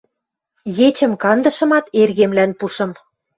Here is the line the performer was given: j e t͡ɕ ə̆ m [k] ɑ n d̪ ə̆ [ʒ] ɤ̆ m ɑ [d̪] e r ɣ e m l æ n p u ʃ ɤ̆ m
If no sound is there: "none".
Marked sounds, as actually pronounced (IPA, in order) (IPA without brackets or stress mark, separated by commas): k, ʃ, t̪